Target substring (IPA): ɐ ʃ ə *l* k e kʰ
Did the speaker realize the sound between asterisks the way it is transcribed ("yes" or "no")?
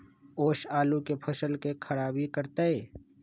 yes